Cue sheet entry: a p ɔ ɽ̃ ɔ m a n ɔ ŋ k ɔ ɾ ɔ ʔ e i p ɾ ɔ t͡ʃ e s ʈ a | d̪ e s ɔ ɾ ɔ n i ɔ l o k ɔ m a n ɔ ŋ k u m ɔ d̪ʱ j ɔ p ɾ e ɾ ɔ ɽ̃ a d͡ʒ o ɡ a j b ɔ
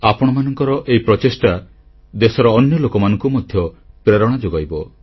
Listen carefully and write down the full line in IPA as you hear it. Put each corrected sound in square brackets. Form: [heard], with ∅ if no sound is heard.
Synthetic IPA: a p ɔ ɽ̃ ɔ m a n ɔ ŋ k ɔ ɾ ɔ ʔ e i p ɾ ɔ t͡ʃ e s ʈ a | d̪ e s ɔ ɾ [ɔː] n [j] ɔ l o k ɔ m a n ɔ ŋ k u m ɔ d̪ʱ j ɔ p ɾ e ɾ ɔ ɽ̃ a d͡ʒ o ɡ a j b ɔ